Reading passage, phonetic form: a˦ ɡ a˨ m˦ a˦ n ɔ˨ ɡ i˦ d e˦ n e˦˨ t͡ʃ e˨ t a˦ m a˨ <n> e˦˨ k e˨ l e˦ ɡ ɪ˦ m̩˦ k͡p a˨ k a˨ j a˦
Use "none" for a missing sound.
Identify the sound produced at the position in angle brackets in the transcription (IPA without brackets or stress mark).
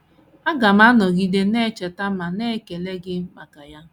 n